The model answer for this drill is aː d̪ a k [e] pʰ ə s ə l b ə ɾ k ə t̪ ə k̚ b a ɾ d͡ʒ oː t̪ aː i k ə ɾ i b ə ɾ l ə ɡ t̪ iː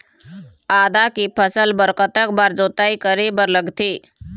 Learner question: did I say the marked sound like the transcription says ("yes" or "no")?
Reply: no